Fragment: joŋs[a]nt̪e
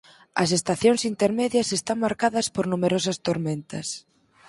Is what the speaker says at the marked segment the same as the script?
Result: no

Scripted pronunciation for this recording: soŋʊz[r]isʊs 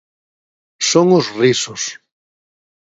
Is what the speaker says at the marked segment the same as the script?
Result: yes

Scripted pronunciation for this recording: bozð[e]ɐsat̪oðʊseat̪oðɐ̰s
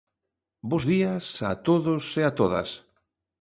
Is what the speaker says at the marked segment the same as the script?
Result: no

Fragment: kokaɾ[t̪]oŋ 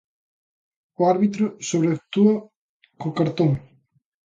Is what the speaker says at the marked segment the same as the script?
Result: yes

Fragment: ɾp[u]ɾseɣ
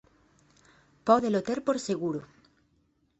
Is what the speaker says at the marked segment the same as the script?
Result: no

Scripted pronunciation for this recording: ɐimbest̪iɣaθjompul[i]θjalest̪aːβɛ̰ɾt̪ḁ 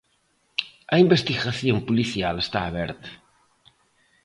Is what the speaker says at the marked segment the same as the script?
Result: yes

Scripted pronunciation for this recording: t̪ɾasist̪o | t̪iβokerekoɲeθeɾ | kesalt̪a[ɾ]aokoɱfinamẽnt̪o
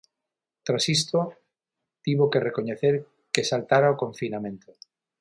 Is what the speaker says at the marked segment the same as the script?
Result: yes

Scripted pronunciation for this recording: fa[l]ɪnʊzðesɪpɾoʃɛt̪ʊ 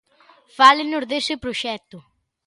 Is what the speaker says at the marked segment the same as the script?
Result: yes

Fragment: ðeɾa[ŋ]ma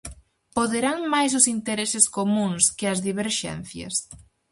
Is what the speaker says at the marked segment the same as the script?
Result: yes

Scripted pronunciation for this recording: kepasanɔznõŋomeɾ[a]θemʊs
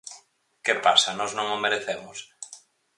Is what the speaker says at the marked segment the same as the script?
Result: no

